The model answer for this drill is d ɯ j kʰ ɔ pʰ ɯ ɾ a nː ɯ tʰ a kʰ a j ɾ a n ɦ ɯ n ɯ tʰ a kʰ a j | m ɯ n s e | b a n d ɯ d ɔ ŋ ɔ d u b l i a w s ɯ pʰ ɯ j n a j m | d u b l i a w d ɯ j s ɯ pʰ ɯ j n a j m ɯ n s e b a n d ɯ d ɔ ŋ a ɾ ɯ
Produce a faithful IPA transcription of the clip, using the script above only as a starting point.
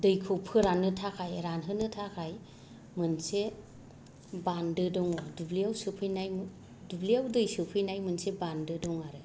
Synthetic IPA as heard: d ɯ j kʰ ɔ pʰ ɯ ɾ a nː ɯ tʰ a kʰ a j ɾ a n ɦ ɯ n ɯ tʰ a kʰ a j | m ɯ n s e | b a n d ɯ d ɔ ŋ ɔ d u b l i a w s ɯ pʰ ɯ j n a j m | d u b l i a w d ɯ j s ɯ pʰ ɯ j n a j m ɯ n s e b a n d ɯ d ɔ ŋ a ɾ ɯ